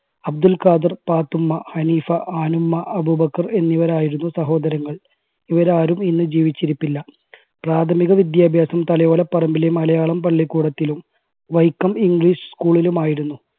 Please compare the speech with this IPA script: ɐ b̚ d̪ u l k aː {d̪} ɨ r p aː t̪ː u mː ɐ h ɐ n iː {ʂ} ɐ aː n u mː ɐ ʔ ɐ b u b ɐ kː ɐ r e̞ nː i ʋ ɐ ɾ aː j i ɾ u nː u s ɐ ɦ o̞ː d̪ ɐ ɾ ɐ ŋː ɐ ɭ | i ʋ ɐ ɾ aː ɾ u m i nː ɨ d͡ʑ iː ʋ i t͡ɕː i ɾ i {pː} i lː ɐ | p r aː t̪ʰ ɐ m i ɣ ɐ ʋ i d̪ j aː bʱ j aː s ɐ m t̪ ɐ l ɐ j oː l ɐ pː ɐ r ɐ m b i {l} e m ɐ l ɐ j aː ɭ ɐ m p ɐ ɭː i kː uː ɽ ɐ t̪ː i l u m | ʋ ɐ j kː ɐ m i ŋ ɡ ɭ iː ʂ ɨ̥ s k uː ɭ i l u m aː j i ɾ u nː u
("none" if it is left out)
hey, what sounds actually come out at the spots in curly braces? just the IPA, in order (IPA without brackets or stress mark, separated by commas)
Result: d̪, f, pː, l